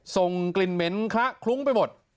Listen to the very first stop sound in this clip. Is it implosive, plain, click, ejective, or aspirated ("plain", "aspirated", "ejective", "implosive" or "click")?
plain